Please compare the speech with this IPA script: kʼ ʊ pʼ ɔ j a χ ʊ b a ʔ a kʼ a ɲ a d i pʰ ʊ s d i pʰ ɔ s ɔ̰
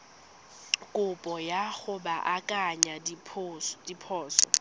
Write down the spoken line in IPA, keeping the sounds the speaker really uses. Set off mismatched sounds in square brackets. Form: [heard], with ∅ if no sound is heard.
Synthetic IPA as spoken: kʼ ʊ pʼ ɔ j a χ ʊ b a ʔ a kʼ a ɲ a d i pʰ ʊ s d i pʰ [ɔː] s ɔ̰